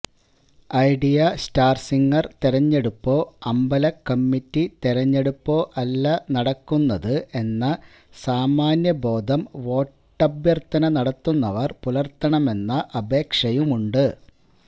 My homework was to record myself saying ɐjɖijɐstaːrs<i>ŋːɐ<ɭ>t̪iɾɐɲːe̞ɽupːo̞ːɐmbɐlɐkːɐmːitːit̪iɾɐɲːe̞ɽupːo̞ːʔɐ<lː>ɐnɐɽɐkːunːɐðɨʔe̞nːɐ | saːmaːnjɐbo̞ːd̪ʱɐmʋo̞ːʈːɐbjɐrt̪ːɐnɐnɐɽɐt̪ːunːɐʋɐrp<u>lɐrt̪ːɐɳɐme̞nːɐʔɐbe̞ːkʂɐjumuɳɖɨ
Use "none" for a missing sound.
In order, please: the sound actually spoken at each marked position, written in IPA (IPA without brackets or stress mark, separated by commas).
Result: i, r, lː, u